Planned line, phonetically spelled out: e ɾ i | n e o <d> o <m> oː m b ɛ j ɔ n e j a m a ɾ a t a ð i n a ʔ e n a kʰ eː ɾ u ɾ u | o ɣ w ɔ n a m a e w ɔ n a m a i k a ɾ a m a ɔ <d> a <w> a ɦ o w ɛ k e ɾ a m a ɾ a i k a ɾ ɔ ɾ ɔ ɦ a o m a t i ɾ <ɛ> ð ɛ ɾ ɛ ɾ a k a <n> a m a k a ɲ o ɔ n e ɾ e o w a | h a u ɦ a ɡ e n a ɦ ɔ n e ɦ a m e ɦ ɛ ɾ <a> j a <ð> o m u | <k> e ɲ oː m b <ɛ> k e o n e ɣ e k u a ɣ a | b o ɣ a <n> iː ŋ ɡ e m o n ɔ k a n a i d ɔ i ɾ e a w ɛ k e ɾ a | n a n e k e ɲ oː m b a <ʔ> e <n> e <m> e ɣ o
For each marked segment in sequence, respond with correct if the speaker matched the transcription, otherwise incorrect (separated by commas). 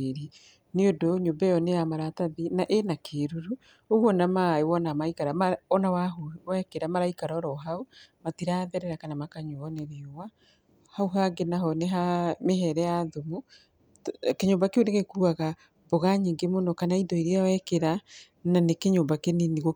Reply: correct, incorrect, incorrect, correct, incorrect, correct, incorrect, correct, correct, incorrect, incorrect, incorrect, correct, incorrect